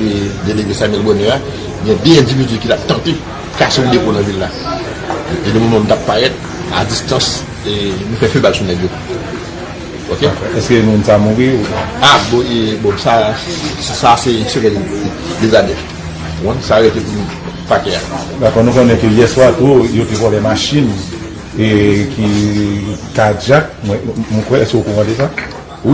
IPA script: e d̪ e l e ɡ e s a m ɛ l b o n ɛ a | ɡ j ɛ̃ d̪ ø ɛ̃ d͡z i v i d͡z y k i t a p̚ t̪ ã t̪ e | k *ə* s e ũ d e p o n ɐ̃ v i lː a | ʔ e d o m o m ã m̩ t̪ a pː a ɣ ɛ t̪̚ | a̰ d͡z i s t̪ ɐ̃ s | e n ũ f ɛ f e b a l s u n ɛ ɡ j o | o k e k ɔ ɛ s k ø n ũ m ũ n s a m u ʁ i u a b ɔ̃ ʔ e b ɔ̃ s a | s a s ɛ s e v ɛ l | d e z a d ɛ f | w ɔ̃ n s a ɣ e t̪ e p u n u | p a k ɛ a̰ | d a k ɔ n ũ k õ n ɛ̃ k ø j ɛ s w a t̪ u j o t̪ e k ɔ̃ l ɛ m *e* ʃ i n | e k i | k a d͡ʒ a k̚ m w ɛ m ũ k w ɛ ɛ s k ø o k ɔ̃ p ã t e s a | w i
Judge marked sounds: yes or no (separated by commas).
no, no